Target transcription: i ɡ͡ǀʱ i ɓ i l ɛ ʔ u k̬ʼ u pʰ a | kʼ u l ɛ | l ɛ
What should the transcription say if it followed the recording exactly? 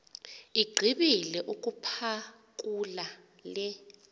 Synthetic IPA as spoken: i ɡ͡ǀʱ i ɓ i l ɛ ʔ u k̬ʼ u pʰ a | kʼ u l a | l ɛ